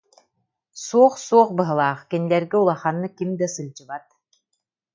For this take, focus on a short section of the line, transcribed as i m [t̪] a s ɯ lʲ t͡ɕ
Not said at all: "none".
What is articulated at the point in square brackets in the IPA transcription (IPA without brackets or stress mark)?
d̪